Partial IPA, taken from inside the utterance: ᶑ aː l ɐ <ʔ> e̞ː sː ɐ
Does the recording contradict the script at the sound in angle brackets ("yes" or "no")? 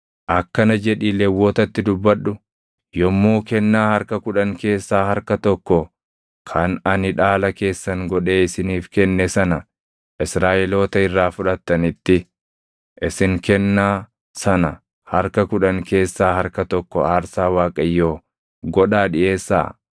yes